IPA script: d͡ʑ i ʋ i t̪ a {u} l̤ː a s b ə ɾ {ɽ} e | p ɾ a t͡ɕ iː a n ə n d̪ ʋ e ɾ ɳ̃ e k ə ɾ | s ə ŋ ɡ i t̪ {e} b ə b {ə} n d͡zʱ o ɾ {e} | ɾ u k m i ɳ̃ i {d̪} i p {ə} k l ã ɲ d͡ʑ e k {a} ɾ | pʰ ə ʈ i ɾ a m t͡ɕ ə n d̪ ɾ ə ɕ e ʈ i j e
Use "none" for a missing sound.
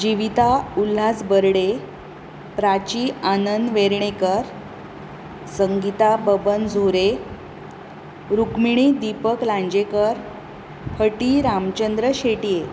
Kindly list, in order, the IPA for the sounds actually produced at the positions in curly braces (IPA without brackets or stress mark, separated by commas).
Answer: u, ɽ, a, ə, e, d̪, ə, ə